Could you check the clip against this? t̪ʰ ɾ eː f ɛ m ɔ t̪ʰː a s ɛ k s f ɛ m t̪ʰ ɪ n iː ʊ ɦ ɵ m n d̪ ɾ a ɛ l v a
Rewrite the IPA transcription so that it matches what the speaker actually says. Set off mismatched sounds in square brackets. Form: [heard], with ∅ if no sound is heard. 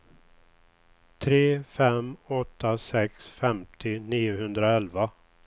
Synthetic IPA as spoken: t̪ʰ ɾ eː f ɛ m ɔ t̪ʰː a s ɛ k s f ɛ m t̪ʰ ɪ n iː ʊ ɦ ɵ [∅] n d̪ ɾ a ɛ l v a